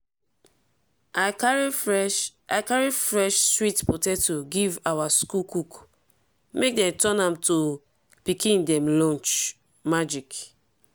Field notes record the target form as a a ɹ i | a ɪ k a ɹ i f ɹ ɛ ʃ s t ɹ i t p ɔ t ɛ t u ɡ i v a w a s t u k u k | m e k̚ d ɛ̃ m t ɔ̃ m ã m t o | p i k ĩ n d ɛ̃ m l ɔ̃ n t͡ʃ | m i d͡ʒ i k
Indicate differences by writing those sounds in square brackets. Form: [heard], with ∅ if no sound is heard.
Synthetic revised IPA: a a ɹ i | a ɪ k a ɹ i f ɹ ɛ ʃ s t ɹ i t p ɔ t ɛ t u ɡ i v a w a s [k] u k u k | m e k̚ d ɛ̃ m t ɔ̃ [n] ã m t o | p i k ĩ n d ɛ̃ m l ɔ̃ n t͡ʃ | m [a] d͡ʒ i k

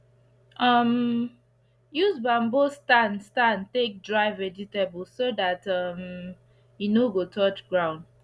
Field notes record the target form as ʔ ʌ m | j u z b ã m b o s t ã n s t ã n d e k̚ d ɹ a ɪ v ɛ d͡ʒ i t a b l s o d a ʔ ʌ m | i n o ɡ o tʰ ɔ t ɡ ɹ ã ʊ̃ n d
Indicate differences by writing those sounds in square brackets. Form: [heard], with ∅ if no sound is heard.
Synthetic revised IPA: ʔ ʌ m | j u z b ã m b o s t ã n s t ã n [t] e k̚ d ɹ a ɪ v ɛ d͡ʒ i t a b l s o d a [t] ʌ m | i n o ɡ o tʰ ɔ [t͡ʃ] ɡ ɹ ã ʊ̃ n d

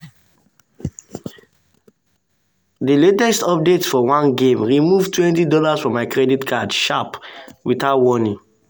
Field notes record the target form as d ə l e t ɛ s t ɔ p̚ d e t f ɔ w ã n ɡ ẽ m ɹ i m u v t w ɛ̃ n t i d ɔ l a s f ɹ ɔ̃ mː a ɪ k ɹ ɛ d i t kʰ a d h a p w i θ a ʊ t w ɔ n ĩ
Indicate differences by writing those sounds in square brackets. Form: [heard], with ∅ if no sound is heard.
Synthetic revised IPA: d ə l e t ɛ s t ɔ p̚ d e t f ɔ w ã n ɡ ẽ m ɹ i m u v t w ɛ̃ n t i d ɔ l a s f ɹ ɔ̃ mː a ɪ k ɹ ɛ d i t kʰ a d [ʃ] a p w i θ a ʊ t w ɔ n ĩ

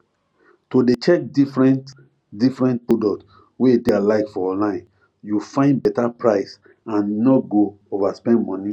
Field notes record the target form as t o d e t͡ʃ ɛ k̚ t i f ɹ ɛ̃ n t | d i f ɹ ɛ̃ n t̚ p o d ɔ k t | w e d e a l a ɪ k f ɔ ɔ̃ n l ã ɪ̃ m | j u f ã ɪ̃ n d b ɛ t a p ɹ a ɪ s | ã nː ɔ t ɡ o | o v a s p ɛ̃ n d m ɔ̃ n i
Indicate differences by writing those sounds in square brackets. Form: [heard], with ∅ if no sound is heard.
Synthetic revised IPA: t o d e t͡ʃ ɛ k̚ [d] i f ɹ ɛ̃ n t | d i f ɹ ɛ̃ n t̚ p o d ɔ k t | w e d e a l a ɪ k f ɔ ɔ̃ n l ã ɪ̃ [n] | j u f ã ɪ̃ n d b ɛ t a p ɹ a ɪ s | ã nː ɔ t ɡ o | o v a s p ɛ̃ n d m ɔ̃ n i

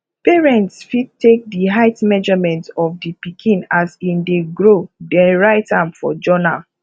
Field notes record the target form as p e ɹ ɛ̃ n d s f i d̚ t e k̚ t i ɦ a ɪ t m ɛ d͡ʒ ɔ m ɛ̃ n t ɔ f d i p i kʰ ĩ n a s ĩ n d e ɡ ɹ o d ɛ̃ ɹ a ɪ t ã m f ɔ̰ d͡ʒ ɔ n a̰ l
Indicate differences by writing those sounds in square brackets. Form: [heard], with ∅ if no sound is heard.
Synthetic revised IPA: p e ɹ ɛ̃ n [t] s f i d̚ t e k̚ [d] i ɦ a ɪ t m ɛ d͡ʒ ɔ m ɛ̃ n t ɔ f d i p i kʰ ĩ n a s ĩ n d e ɡ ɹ o d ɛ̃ ɹ a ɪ t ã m f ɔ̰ d͡ʒ ɔ n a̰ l

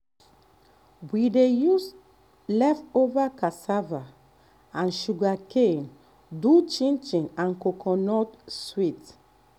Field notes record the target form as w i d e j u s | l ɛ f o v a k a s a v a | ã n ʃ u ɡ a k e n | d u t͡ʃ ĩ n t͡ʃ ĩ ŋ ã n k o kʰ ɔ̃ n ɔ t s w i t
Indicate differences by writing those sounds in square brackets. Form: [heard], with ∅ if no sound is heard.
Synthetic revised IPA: w i d e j u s | l ɛ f o v a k a s a v a | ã n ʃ u ɡ a k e n | d u t͡ʃ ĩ n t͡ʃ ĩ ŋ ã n k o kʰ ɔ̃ n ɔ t s w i t

